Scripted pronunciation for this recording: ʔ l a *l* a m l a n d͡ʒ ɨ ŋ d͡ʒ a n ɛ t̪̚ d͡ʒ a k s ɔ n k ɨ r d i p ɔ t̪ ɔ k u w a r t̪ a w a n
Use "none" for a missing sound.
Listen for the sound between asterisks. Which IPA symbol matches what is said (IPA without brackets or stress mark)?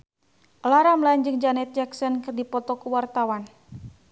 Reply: ɾ